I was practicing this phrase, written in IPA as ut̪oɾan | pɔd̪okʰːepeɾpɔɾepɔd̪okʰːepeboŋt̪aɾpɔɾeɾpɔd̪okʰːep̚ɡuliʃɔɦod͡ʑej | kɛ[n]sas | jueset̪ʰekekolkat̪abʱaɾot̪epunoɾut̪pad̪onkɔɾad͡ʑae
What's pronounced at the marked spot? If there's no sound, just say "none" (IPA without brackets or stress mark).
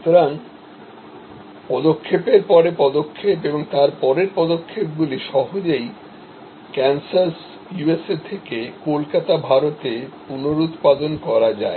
n